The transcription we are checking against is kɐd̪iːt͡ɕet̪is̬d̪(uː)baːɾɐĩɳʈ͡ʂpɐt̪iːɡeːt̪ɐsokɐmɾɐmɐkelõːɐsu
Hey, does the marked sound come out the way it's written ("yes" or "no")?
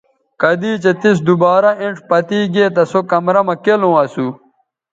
no